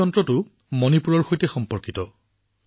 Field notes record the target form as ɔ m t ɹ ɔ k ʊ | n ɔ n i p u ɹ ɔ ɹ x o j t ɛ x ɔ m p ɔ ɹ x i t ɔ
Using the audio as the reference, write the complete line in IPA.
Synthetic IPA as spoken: ɔ n t ɹ ɔ t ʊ | m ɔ n i p u ɹ ɔ ɹ x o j t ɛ x ɔ m p ɔ ɹ k i t ɔ

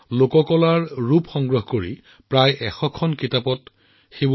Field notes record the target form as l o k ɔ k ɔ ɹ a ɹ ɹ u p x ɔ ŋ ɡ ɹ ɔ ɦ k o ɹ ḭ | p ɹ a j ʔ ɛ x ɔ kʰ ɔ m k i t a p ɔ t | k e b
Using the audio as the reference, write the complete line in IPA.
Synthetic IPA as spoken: l o k ɔ k ɔ l a ɹ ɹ u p x ɔ ŋ ɡ ɹ ɔ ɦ k o ɹ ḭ | p ɹ a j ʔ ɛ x ɔ kʰ ɔ n k i t a p ɔ t | x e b

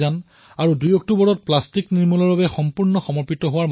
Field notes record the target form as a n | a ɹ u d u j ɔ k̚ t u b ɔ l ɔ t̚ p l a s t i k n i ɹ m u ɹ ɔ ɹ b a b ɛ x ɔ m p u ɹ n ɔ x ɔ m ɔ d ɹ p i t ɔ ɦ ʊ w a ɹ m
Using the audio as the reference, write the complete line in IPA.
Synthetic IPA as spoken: a n | a ɹ u d u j ɔ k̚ t u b ɔ ɹ ɔ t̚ p l a s t i k n i ɹ m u l ɔ ɹ b a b ɛ x ɔ m p u ɹ n ɔ x ɔ m ɔ ɹ p i t ɔ ɦ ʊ w a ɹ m

